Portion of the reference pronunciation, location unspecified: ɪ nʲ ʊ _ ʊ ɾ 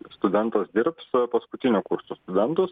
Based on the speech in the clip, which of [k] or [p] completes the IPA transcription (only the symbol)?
k